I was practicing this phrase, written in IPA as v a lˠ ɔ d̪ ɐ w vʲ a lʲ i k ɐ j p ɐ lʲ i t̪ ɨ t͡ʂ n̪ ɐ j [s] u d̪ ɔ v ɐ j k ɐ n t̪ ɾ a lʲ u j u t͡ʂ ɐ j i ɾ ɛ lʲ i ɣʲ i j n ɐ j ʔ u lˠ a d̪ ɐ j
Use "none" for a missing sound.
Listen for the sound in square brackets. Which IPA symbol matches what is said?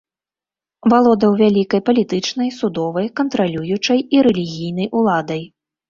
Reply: s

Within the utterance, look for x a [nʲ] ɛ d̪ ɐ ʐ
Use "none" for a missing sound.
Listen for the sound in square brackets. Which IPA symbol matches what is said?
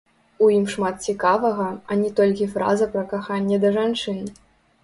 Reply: nʲː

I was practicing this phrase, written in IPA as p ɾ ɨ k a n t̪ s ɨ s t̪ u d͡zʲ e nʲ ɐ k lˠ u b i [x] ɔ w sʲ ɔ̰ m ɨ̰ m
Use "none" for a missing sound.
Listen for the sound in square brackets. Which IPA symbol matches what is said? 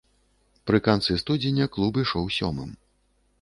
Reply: ʂ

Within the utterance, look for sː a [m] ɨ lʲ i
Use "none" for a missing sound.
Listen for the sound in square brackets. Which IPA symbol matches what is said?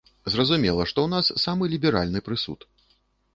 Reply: m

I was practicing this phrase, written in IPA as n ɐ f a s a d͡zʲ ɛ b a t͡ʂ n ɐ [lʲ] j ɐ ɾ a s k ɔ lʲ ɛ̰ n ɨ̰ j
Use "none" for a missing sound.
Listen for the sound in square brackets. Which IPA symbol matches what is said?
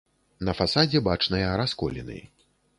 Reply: none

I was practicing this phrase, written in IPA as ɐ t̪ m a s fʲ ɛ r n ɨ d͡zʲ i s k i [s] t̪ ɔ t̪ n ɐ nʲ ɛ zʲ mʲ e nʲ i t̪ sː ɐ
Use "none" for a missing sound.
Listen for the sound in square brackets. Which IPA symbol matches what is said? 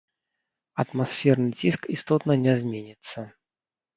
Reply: s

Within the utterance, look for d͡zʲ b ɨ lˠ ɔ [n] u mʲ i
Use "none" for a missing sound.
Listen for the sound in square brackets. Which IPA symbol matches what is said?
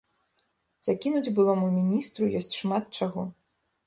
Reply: m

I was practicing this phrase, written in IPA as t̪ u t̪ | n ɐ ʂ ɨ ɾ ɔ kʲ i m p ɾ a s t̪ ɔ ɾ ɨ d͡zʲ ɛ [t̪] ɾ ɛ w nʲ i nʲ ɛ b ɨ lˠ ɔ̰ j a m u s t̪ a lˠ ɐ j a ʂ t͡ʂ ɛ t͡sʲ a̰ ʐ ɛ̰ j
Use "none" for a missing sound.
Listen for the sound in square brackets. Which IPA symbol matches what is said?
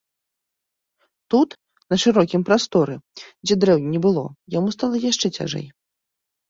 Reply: d̪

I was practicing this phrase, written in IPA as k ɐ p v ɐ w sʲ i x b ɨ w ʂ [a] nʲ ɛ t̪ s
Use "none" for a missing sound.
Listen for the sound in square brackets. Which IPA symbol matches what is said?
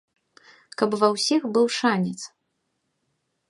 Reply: a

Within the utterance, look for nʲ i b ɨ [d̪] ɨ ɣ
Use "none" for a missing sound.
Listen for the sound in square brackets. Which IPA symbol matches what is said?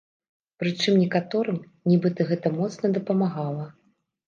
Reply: t̪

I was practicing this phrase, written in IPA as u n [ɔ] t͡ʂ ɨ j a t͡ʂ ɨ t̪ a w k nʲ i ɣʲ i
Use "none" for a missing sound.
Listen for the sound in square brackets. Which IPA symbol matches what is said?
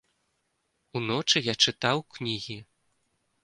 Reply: ɔ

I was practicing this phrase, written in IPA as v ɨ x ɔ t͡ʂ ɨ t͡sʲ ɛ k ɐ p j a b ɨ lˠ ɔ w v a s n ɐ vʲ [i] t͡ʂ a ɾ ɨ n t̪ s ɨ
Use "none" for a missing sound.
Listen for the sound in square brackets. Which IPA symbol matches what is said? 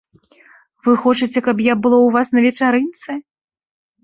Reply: ɛ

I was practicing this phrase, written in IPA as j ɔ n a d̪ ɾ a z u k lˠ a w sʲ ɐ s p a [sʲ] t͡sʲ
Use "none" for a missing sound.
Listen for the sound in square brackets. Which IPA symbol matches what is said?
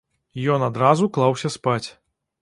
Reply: none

